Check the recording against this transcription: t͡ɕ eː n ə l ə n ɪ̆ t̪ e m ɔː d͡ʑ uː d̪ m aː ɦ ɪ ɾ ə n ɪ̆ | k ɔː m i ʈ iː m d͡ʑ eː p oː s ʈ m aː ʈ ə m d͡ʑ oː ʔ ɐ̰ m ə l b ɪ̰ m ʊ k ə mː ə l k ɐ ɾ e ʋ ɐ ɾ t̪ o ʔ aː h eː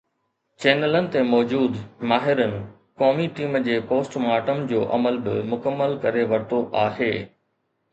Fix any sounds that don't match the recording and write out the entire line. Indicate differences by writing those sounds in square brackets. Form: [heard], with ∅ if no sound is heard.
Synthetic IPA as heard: t͡ɕ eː n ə l ə n ɪ̆ t̪ e m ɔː d͡ʑ uː d̪ m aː ɦ ɪ ɾ ə n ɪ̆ | k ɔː m i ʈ iː m d͡ʑ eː p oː s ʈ m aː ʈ ə m d͡ʑ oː ʔ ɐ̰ m ə l b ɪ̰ m ʊ k ə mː ə l k ɐ ɾ e ʋ ɐ ɾ t̪ o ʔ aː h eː